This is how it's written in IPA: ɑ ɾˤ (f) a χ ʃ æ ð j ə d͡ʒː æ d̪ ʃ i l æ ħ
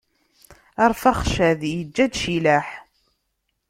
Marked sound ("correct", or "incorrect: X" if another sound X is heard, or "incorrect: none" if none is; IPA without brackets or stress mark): correct